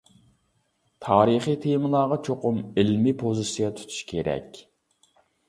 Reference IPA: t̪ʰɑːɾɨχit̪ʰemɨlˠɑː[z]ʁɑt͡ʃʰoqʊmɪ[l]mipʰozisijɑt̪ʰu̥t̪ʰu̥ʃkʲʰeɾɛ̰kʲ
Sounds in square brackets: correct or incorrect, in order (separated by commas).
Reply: incorrect, correct